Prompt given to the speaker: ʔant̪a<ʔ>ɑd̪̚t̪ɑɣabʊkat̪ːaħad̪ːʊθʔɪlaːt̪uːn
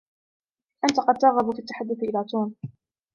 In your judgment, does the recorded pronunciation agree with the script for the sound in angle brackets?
no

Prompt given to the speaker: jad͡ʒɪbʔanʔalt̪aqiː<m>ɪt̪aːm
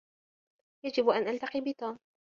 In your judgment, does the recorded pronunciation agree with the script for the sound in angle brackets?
no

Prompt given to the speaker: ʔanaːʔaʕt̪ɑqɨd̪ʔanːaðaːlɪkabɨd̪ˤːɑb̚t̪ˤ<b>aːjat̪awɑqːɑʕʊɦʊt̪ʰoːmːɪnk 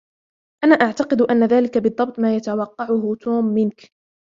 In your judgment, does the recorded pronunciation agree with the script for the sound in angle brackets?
no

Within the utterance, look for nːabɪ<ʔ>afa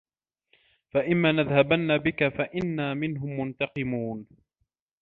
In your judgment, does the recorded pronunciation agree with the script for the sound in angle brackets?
no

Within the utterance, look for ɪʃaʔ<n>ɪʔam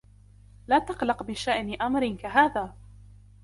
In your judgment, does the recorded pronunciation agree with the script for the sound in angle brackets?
yes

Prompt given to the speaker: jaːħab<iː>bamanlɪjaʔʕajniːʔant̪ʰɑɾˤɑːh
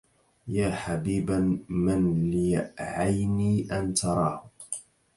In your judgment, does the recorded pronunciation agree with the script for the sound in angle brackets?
yes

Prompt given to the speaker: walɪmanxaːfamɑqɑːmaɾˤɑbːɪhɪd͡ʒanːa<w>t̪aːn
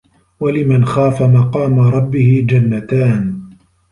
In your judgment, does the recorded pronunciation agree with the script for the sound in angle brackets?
no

